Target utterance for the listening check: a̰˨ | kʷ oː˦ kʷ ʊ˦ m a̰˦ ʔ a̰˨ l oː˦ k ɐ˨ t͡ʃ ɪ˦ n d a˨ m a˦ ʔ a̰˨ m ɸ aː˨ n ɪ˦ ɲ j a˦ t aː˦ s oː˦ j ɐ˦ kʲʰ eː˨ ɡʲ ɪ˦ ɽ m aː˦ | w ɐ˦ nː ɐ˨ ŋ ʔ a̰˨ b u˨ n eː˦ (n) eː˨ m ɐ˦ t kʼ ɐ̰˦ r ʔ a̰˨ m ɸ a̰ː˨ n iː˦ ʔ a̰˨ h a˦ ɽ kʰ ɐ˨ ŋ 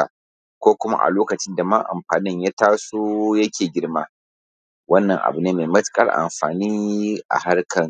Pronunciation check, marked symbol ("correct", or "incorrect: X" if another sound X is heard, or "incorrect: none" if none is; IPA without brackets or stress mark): incorrect: m